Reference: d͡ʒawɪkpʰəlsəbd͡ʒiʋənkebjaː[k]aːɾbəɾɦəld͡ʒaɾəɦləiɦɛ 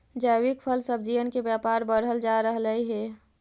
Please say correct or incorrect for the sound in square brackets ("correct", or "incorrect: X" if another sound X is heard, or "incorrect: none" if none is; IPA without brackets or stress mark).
incorrect: p